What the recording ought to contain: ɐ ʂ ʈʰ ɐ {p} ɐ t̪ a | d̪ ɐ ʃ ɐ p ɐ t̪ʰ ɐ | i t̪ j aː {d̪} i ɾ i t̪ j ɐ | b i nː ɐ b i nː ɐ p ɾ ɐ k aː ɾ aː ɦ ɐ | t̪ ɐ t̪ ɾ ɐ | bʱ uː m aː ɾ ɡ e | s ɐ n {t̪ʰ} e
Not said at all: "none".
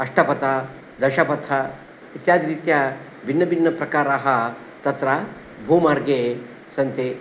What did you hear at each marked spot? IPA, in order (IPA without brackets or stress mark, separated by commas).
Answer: p, d̪, t̪